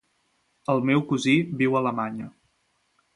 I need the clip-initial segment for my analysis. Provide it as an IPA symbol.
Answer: ə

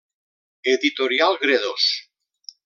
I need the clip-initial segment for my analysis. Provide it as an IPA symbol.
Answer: e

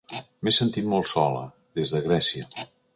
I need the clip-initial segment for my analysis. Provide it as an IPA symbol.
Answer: m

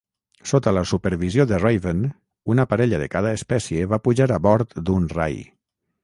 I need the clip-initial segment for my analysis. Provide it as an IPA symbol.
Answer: s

